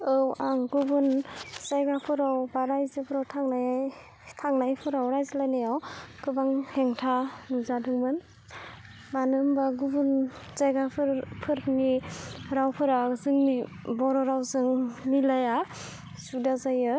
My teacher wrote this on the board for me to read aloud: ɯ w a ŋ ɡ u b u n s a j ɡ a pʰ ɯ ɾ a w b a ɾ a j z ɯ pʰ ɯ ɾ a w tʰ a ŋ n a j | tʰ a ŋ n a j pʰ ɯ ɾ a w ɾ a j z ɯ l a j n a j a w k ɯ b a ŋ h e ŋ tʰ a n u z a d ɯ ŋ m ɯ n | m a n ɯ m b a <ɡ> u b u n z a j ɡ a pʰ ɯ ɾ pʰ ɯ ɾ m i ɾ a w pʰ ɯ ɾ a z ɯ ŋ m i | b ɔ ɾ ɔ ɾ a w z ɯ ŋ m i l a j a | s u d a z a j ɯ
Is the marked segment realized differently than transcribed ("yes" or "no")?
no